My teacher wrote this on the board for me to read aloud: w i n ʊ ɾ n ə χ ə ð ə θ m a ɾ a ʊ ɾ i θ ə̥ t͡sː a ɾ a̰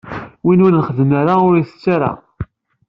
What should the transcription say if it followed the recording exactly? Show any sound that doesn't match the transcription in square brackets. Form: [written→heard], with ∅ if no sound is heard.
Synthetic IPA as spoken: w i n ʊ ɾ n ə χ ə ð ə [θ→∅] m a ɾ a ʊ ɾ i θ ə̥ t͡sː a ɾ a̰